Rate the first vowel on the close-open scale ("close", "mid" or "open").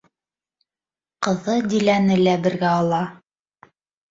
mid